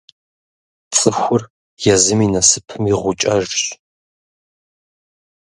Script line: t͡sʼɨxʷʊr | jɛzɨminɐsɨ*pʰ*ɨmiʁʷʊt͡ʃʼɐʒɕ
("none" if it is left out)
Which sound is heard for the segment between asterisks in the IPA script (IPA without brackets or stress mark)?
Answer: pʰ